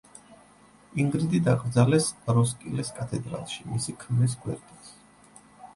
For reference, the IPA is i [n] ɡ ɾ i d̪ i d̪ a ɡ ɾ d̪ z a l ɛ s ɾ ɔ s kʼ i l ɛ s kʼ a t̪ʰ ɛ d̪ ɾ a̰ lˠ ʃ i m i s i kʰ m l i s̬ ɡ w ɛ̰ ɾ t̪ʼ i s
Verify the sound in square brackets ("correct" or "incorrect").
incorrect